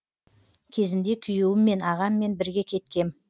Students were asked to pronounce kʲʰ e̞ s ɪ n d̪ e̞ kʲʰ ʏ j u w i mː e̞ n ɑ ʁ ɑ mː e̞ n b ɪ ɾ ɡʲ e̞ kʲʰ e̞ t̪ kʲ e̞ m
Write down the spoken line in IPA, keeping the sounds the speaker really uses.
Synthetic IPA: kʲʰ e̞ z ɪ n d̪ e̞ kʲʰ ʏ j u w ɪ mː e̞ n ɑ ʁ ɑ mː e̞ n b ɪ ɾ ɡʲ e̞ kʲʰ e̞ t̪ kʲ e̞ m